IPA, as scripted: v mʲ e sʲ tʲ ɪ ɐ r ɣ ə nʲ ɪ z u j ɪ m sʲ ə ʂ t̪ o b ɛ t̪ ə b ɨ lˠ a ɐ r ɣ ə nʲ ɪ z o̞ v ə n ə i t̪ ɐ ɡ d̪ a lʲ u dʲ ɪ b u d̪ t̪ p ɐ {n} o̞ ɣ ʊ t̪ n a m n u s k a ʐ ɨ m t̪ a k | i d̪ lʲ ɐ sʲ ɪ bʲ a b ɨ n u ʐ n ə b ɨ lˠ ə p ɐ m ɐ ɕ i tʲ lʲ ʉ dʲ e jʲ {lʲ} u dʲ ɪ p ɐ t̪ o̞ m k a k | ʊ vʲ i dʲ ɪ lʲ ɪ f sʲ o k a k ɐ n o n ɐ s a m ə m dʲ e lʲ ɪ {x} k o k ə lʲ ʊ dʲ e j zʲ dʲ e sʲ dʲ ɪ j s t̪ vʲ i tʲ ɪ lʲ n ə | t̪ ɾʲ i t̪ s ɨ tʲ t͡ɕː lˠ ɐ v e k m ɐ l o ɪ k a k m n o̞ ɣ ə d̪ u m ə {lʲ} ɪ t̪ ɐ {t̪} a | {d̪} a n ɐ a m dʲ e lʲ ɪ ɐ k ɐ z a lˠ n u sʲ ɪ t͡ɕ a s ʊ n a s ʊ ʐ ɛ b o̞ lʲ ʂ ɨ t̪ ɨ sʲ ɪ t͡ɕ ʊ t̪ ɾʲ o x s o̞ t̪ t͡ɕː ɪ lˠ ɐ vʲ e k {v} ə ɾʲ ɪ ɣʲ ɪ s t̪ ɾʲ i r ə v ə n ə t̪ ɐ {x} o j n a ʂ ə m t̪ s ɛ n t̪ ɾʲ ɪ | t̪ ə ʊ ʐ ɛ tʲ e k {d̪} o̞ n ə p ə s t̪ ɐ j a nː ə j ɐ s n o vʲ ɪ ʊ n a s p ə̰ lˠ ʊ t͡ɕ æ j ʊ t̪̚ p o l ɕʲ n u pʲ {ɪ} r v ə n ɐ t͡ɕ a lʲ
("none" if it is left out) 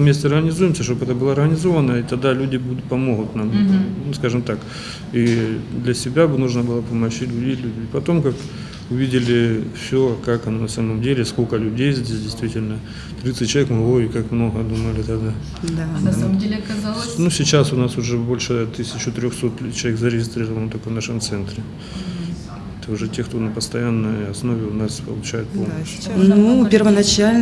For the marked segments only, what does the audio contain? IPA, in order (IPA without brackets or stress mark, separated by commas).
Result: m, lʲ, s, lʲ, d̪, d̪, z, k, t̪, ɪ